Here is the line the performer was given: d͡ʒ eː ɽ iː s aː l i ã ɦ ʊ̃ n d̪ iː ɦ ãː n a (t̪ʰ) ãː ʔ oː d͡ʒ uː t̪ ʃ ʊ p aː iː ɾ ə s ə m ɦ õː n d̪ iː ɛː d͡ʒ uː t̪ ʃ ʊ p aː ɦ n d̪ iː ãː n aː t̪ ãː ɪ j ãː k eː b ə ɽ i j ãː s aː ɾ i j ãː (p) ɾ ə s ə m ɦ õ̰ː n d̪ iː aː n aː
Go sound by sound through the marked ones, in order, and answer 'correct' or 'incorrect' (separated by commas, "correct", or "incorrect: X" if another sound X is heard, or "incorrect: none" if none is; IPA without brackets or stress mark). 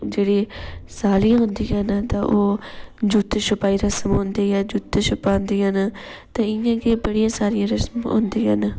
incorrect: t̪, incorrect: none